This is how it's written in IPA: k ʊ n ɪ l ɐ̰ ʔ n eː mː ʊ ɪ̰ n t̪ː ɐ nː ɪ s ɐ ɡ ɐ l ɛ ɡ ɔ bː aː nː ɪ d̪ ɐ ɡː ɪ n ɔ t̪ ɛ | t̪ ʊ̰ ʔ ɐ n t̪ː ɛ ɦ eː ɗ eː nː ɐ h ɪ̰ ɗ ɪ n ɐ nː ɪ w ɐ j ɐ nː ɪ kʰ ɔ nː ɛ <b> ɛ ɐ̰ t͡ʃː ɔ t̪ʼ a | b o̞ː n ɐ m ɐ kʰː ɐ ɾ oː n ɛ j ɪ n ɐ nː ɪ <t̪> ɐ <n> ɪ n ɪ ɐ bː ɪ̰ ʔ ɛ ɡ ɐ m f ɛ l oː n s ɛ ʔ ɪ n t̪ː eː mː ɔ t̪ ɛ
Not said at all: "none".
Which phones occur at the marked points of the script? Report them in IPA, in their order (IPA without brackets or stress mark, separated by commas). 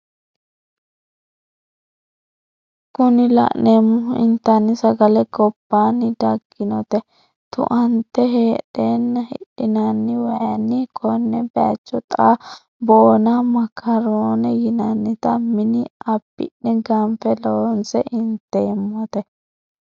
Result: b, t̪, m